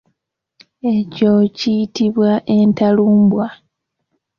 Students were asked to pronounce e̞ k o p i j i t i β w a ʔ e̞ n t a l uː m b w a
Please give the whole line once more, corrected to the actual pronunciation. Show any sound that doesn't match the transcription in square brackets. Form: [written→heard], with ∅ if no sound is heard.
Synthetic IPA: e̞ [k→c] o [p→c] i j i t i β w a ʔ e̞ n t a l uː m b w a